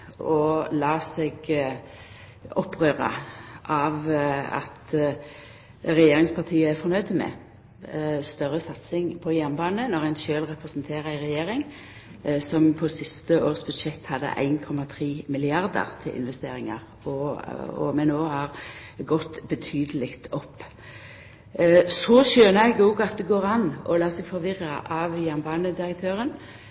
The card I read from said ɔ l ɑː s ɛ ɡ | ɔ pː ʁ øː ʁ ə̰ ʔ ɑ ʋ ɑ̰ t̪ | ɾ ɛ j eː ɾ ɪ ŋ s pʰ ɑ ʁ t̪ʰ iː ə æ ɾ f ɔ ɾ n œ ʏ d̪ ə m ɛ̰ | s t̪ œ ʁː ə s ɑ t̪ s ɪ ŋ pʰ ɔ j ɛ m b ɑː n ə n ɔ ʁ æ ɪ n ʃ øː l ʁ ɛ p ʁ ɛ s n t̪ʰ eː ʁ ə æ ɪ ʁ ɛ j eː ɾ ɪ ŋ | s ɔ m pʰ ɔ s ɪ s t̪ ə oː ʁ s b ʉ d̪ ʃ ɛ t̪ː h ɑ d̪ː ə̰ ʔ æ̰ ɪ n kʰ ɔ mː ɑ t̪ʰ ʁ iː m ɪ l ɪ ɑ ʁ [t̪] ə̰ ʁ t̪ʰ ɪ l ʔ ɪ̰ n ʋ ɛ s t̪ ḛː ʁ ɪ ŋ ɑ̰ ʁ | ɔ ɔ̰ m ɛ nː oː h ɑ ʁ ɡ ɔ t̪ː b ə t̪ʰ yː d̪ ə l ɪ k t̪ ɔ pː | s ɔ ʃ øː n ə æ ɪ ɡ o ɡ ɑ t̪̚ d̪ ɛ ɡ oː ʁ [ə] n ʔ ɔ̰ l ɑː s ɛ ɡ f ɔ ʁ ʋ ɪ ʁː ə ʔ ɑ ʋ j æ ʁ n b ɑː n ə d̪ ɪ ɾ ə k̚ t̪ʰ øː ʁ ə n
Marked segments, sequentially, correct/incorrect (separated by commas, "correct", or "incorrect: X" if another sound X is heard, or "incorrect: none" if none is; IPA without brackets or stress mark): incorrect: d̪, incorrect: ɑ